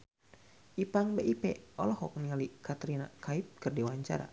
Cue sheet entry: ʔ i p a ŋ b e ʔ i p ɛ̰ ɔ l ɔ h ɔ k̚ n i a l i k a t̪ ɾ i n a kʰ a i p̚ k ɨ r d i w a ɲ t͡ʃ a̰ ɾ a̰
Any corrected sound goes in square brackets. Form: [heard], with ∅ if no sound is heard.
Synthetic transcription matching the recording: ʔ i p a ŋ b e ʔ i p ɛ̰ ɔ l ɔ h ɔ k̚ n i a l i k a t̪ ɾ i n a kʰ a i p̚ k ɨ r d i w a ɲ t͡ʃ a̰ ɾ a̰